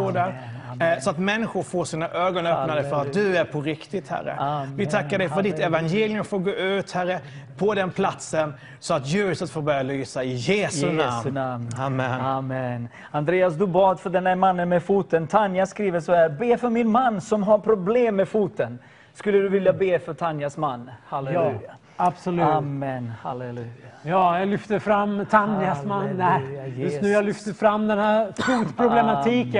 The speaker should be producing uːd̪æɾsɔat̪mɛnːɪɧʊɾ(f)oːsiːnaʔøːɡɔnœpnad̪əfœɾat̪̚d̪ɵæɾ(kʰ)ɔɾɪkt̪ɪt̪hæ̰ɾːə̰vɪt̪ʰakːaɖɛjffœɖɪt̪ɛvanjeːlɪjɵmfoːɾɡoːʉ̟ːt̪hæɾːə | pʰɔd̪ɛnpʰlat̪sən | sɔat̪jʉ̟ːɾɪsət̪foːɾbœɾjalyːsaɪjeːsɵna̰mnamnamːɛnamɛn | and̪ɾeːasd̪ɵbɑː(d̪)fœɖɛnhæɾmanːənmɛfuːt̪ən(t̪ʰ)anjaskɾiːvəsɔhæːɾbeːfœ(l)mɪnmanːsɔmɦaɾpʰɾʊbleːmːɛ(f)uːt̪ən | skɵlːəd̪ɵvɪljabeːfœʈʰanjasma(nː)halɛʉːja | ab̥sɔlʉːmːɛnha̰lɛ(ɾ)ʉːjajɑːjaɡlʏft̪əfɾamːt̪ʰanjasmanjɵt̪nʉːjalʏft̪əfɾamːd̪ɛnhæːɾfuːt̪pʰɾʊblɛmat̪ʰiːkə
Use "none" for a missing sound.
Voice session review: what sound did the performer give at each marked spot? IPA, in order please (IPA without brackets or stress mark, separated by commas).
f, pʰ, d̪, t̪ʰ, ɾ, f, nː, l